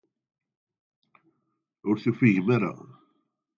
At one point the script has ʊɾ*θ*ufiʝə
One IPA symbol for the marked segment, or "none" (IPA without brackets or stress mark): θ